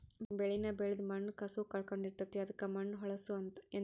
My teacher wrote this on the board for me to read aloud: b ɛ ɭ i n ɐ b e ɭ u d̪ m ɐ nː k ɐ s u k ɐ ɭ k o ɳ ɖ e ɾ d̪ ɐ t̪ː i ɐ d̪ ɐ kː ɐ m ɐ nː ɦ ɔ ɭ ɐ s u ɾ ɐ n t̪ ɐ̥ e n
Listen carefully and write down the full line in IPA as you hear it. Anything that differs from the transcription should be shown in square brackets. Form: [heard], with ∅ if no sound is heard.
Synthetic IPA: b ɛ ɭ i n ɐ b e ɭ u d̪ m ɐ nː k ɐ s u k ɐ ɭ k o ɳ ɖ [i] ɾ [t̪] ɐ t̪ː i ɐ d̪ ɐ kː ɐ m ɐ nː ɦ ɔ ɭ ɐ s u [∅] ɐ n t̪ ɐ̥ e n